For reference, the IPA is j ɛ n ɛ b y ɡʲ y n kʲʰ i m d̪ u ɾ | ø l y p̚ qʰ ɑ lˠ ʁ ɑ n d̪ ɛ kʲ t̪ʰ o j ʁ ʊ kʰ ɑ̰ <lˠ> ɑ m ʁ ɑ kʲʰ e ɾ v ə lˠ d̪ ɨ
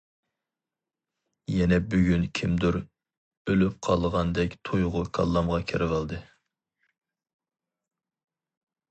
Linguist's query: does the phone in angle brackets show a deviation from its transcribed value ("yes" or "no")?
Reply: yes